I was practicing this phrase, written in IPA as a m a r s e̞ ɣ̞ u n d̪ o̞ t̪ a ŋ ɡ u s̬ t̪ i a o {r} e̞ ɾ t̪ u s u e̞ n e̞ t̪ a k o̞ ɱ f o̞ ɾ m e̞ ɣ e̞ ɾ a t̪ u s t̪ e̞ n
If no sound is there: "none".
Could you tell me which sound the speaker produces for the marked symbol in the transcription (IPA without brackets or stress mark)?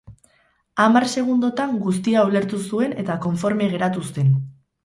l